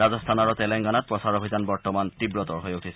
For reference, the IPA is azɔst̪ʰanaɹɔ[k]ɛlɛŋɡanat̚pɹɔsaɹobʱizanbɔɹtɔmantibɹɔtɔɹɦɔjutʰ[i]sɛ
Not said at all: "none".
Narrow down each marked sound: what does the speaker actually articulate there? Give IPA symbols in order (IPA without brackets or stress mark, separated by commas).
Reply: t, i